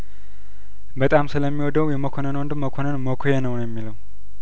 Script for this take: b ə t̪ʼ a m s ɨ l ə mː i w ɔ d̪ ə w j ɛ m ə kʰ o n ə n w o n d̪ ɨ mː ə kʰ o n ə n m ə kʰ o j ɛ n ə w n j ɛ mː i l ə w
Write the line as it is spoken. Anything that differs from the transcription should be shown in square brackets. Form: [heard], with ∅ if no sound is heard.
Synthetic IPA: b ə t̪ʼ a m s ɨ l ə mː i w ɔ d̪ ə w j ɛ m ə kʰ o n ə n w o n d̪ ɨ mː ə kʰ o n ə n m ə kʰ o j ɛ n ə w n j ɛ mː i l ə w